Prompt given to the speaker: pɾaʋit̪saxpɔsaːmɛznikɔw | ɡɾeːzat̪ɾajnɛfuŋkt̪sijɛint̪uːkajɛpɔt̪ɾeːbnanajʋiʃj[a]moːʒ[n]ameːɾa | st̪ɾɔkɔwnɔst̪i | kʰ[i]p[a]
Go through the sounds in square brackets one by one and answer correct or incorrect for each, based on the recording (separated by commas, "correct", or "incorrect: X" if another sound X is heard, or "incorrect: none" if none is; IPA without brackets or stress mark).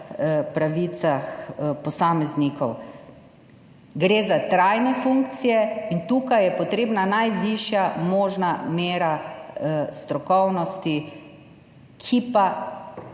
correct, correct, correct, correct